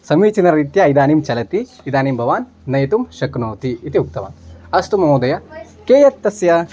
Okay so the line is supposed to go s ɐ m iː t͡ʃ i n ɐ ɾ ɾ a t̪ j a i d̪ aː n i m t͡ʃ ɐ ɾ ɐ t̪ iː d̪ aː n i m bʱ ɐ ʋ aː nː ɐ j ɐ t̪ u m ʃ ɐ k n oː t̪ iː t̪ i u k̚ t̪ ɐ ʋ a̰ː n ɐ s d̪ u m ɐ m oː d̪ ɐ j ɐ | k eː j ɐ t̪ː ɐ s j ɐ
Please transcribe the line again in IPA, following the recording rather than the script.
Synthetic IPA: s ɐ m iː t͡ʃ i n ɐ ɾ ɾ i t̪ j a i d̪ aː n i m t͡ʃ ɐ l ɐ t̪ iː d̪ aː n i m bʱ ɐ ʋ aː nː ɐ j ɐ t̪ u m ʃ ɐ k n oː t̪ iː t̪ i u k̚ t̪ ɐ ʋ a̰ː n ɐ s t̪ u m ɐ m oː d̪ ɐ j ɐ | k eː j ɐ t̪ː ɐ s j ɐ